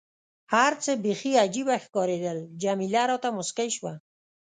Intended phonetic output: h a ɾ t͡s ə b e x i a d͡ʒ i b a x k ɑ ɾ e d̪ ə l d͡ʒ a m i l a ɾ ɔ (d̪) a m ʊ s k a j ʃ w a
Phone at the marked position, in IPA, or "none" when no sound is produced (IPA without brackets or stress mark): t̪